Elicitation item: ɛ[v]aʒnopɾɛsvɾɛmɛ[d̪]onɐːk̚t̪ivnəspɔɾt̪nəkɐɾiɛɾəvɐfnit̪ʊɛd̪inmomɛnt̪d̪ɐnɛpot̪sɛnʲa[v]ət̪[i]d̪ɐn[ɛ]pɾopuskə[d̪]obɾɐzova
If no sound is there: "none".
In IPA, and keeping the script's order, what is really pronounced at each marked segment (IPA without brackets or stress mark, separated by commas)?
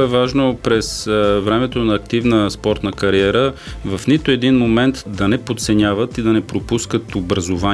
v, t̪, v, i, ɛ, t̪